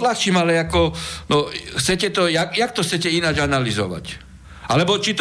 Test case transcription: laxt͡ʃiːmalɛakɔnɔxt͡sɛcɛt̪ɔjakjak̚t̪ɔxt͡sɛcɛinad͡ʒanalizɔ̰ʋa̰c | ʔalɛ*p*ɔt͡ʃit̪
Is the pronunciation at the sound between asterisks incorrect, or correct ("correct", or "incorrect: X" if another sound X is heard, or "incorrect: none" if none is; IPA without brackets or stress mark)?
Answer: incorrect: b